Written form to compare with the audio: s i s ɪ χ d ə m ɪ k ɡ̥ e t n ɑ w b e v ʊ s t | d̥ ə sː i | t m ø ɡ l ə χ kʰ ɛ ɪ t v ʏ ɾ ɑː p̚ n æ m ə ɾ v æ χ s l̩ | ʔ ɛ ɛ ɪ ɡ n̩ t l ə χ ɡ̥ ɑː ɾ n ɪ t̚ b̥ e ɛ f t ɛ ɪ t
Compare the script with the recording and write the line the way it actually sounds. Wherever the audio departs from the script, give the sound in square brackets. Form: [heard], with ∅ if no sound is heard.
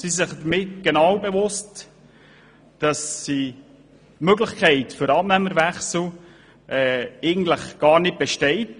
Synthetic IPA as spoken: s i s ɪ χ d ə m ɪ [t] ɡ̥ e [∅] n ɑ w b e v ʊ s t | d̥ [ɑ] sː i | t m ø ɡ l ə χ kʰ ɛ ɪ t [f] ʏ ɾ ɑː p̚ n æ m ə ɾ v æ χ s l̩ | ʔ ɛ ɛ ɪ ɡ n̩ t l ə χ ɡ̥ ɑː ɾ n ɪ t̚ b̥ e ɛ [ʃ] t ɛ ɪ t